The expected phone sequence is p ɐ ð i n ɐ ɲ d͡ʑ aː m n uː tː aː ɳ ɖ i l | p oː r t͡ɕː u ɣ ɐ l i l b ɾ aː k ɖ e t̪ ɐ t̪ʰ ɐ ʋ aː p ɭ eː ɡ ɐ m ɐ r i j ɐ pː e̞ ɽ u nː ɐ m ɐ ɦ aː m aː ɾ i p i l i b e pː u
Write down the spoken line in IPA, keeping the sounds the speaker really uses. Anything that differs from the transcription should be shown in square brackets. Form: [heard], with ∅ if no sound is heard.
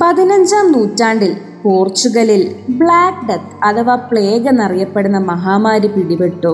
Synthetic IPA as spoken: p ɐ ð i n ɐ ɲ d͡ʑ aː m n uː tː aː ɳ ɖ i l | p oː r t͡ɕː u ɣ ɐ l i l b [ɭ] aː k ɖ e t̪ ɐ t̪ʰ ɐ ʋ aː p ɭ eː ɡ ɐ [n] ɐ r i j ɐ pː e̞ ɽ u nː ɐ m ɐ ɦ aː m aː ɾ i p i [ɽ] i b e [ʈː] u